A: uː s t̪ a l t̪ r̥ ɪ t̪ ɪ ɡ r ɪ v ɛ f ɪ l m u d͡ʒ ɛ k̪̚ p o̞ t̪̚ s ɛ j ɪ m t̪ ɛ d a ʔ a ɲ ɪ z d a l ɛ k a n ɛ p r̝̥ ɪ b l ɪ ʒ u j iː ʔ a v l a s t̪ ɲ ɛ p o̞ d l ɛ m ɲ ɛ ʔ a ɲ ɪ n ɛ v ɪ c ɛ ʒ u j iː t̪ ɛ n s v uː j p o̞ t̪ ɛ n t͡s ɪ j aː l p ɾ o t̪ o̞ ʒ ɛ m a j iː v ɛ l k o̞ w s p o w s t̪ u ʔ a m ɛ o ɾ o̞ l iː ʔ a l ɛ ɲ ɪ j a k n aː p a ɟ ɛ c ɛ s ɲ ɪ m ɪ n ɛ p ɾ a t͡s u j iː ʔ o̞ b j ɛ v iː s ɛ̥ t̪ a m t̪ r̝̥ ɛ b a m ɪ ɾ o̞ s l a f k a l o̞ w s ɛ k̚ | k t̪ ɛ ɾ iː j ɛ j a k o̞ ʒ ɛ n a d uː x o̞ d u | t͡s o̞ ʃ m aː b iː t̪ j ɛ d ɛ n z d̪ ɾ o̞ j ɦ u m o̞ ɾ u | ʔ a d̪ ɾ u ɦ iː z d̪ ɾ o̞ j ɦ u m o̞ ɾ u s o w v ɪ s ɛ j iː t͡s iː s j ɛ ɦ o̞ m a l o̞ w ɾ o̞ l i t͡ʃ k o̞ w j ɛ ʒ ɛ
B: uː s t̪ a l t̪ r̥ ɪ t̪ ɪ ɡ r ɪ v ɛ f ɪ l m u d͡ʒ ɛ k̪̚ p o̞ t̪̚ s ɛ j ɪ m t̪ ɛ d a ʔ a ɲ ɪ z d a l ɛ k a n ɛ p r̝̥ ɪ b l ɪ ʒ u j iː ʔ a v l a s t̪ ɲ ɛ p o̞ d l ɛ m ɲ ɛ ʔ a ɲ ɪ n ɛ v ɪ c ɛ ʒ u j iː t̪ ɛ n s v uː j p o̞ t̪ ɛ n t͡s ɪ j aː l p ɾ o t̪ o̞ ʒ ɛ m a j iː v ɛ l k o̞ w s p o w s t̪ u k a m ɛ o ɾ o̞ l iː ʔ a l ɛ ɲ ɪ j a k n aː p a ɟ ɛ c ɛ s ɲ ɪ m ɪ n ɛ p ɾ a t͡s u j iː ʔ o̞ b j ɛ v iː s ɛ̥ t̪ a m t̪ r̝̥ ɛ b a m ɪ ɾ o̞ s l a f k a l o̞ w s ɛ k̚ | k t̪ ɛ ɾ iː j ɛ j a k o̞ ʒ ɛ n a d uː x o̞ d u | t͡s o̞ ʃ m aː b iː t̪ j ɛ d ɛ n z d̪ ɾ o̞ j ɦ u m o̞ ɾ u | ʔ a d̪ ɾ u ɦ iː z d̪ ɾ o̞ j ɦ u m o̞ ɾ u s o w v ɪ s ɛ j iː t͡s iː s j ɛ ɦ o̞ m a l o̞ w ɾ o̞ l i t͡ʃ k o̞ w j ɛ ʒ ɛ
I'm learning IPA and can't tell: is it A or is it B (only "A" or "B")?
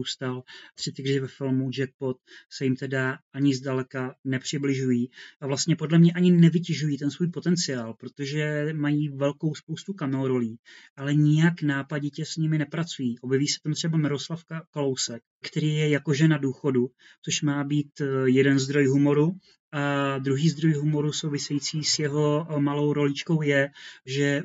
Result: B